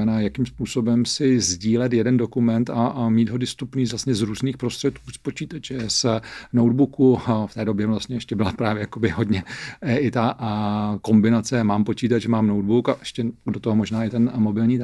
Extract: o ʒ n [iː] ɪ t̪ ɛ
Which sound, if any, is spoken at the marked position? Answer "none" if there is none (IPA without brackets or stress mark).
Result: aː